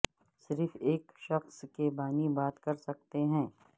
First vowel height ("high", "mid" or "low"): high